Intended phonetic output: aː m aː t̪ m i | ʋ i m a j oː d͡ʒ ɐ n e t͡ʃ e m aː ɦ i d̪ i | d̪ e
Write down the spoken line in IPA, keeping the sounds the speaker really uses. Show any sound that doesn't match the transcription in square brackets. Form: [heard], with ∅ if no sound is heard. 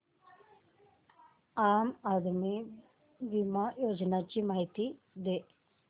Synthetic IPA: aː m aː [d̪] m i | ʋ i m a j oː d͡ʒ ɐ n [a] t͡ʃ [i] m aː ɦ i [t̪] i | d̪ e